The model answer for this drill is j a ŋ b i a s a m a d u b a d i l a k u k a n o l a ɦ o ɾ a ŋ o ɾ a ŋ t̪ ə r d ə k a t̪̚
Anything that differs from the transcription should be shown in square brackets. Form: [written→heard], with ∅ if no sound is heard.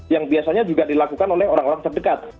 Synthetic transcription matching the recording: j a ŋ b i a s a [m→ɲ] a [d→d͡ʒ] u [b→ɡ] a d i l a k u k a n o l [a→ɛ] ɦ o ɾ a ŋ o ɾ a ŋ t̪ ə r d ə k a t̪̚